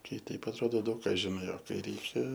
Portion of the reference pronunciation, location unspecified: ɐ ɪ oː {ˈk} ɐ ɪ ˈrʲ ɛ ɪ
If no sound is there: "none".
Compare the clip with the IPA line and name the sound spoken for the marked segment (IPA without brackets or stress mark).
k